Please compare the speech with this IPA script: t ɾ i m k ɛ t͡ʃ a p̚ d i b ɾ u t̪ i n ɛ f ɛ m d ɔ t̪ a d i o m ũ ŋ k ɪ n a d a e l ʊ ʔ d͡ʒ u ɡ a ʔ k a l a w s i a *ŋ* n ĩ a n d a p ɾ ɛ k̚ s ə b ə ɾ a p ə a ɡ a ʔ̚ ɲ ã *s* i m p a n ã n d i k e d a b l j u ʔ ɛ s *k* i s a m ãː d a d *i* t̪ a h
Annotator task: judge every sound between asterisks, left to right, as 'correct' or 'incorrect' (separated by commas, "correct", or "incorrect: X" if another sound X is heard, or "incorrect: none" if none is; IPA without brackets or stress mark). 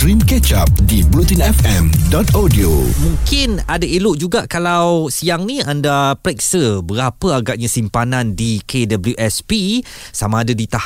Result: correct, correct, incorrect: p, correct